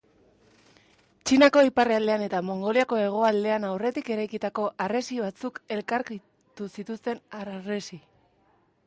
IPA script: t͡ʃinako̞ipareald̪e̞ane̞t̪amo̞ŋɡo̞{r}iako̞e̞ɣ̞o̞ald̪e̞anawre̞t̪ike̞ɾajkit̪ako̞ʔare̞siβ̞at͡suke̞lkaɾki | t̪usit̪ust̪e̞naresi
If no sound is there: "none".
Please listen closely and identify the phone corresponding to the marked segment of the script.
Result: l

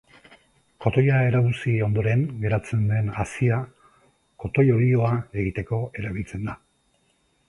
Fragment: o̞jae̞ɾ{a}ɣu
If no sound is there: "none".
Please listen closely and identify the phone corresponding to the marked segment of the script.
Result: a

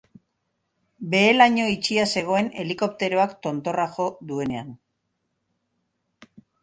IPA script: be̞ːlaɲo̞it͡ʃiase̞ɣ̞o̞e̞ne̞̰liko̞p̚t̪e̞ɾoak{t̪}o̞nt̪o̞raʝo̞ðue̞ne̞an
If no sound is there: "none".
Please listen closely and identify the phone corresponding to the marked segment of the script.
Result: t̪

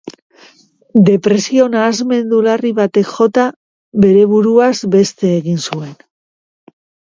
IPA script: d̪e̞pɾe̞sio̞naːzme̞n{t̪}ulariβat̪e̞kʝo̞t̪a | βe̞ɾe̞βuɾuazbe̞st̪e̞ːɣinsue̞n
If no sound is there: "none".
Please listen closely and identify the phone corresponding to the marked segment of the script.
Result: d̪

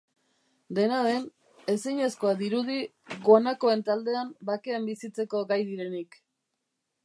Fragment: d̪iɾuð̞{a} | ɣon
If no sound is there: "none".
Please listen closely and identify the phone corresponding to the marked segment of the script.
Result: i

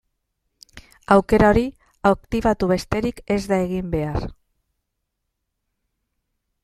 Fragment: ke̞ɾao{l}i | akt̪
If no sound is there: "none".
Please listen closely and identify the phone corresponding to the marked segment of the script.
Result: ɾ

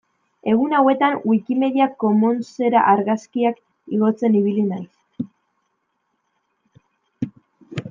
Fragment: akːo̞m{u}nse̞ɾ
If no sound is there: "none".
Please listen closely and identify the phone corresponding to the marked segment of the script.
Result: o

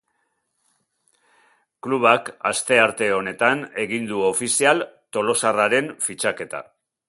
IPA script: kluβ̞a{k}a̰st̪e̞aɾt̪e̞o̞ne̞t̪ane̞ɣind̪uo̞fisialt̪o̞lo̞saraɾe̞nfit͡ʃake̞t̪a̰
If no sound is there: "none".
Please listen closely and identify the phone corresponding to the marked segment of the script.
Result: k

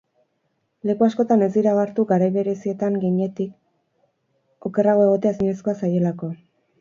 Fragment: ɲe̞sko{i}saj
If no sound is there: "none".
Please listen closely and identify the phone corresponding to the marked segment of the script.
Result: a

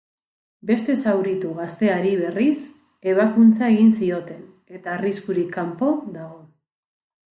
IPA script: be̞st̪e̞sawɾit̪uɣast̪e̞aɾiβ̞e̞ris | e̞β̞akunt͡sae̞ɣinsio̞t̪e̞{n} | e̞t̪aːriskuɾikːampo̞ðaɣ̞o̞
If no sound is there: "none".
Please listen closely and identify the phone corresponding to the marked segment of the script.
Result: n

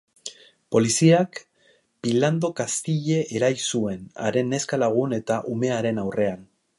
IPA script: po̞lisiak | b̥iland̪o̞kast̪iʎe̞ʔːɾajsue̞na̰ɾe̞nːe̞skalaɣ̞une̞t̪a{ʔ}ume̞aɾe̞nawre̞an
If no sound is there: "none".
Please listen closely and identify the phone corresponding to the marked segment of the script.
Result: ʔ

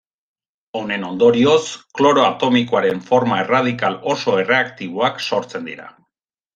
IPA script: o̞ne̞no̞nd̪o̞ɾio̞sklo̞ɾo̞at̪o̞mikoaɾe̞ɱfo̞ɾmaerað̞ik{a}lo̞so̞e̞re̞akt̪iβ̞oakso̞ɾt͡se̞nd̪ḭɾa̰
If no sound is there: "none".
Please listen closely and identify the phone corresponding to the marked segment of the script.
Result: a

